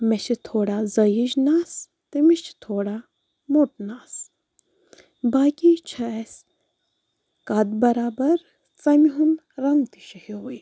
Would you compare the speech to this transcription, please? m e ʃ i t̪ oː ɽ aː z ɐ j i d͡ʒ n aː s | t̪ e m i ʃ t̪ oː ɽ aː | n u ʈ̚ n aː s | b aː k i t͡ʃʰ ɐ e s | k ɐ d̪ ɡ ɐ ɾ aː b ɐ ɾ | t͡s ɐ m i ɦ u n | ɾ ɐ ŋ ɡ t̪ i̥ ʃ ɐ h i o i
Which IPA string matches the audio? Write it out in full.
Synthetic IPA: m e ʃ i t̪ʰ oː ɽ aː z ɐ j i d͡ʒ n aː s | t̪ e m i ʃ t̪ʰ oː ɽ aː | m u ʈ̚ n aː s | b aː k i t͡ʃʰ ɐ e s | k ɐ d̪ b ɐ ɾ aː b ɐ ɾ | t͡s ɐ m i ɦ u n | ɾ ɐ ŋ ɡ t̪ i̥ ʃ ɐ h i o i